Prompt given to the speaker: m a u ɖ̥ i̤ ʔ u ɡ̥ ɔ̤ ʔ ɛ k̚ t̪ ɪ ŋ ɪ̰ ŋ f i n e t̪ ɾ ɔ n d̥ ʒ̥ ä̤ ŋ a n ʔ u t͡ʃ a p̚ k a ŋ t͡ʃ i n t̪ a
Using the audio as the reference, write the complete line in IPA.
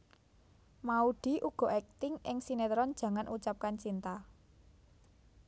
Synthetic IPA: m a u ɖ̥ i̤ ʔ u ɡ̥ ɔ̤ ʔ ɛ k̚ t̪ ɪ ŋ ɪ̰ ŋ s i n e t̪ ɾ ɔ n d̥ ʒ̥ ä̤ ŋ a n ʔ u t͡ʃ a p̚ k a n t͡ʃ i n t̪ a